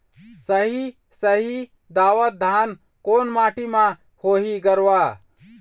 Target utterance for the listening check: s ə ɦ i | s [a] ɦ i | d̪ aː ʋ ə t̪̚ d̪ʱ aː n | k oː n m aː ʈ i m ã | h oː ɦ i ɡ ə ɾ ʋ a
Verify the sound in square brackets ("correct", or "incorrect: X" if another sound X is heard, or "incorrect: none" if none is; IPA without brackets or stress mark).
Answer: incorrect: ə